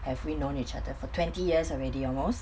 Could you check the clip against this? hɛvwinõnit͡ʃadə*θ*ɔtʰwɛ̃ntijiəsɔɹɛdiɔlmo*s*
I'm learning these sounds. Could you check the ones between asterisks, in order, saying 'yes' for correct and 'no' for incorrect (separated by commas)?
no, yes